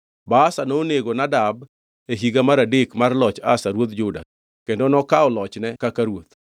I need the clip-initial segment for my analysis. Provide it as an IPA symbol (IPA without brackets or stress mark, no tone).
b